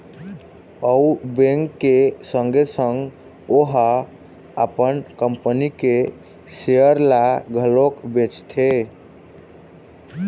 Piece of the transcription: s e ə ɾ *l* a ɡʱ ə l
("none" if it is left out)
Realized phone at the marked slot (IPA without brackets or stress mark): l